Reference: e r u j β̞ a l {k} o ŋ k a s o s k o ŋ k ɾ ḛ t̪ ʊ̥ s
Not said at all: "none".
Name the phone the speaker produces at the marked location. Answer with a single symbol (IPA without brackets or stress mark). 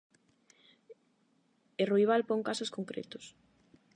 p